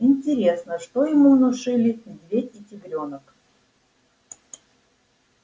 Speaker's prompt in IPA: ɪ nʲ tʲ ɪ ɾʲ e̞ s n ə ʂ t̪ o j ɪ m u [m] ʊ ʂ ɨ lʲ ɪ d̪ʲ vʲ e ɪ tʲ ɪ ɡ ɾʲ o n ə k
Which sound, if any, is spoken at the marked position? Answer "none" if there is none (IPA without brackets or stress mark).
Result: n